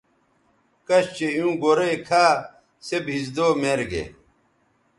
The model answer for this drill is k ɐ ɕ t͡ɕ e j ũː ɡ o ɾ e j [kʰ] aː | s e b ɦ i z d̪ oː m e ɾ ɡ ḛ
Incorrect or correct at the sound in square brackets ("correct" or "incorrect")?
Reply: correct